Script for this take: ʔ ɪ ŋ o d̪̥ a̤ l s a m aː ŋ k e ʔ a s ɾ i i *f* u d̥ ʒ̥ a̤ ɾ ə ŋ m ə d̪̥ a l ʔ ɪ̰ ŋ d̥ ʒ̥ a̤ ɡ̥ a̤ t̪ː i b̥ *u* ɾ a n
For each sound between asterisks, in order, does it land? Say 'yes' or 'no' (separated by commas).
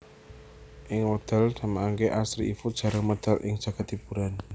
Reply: yes, yes